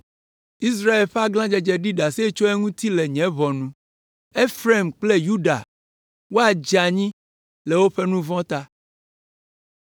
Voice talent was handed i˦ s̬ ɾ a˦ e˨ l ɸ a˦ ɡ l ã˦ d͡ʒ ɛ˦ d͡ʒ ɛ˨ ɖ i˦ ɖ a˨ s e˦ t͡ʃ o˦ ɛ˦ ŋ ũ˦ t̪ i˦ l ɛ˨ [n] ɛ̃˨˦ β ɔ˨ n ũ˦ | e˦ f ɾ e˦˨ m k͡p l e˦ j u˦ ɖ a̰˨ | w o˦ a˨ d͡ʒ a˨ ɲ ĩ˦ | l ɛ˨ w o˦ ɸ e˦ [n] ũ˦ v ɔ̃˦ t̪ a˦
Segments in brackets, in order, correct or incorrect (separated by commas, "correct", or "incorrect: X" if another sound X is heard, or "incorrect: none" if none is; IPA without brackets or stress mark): incorrect: ɲ, correct